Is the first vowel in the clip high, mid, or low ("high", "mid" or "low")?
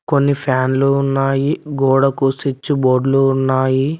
mid